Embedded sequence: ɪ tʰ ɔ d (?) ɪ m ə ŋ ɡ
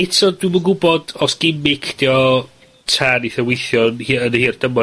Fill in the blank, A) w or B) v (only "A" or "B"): A